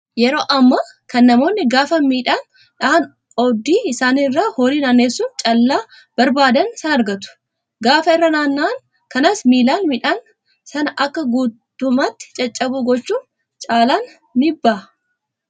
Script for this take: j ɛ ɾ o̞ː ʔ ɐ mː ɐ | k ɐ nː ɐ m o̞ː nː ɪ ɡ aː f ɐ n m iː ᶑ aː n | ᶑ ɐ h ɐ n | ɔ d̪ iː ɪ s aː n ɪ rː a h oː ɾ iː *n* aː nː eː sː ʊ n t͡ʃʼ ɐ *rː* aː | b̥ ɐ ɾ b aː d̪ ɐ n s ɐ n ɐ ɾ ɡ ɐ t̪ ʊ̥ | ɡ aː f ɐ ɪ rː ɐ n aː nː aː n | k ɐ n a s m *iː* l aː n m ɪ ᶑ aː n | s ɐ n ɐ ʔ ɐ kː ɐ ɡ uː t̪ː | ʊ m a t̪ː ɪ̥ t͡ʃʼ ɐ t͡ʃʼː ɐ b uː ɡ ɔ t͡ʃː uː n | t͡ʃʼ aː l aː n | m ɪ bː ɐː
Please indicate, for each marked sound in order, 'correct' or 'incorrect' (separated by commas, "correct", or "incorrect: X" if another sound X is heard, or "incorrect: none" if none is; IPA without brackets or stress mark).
correct, incorrect: lː, correct